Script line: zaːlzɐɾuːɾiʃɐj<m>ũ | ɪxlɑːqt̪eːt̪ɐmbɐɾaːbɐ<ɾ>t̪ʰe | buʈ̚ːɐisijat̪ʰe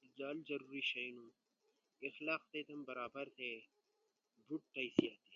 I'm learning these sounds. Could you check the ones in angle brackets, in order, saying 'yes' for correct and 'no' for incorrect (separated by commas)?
no, yes